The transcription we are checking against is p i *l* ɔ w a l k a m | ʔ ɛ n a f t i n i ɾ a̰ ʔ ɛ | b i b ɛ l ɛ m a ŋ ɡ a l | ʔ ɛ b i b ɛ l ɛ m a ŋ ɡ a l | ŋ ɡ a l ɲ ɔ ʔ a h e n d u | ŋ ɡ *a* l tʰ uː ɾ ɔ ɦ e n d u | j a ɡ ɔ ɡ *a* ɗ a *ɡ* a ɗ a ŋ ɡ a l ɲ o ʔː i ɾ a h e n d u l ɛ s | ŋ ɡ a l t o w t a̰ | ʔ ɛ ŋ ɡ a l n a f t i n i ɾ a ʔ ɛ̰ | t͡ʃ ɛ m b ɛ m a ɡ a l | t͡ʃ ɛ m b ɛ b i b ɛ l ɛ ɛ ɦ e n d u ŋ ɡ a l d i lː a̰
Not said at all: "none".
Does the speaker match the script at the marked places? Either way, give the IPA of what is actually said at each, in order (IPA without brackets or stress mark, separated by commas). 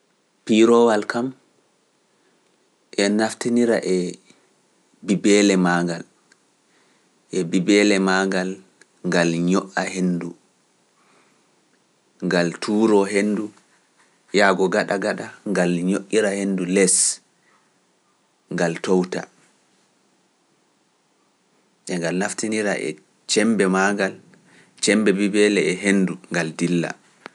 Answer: ɾ, a, a, ɡ